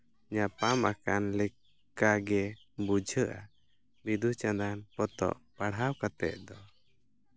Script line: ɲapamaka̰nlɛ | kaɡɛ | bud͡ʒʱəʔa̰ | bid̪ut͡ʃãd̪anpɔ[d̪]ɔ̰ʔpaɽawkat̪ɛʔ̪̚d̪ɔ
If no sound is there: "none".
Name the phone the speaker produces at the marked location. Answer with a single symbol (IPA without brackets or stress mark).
t̪